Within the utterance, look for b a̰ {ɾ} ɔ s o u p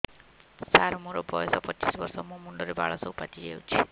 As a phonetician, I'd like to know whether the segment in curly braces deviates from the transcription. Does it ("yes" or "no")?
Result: yes